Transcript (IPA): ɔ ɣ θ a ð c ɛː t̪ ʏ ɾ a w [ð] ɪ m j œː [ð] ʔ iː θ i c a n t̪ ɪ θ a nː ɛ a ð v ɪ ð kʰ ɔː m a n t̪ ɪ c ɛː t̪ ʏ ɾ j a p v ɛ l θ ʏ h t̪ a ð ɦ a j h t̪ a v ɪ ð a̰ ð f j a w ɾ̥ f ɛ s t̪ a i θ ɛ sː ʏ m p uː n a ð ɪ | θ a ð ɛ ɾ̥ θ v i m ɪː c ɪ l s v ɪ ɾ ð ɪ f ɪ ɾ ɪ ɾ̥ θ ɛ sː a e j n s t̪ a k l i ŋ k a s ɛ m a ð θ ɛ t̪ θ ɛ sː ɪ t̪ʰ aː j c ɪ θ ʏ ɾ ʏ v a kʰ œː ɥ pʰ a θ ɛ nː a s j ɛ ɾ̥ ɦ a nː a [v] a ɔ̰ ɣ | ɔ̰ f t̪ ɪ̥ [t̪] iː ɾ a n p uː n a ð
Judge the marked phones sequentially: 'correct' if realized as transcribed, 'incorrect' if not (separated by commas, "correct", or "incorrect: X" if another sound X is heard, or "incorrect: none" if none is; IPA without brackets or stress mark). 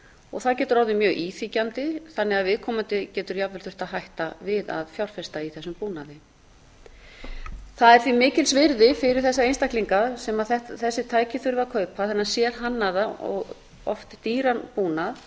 correct, incorrect: ɣ, incorrect: ð, correct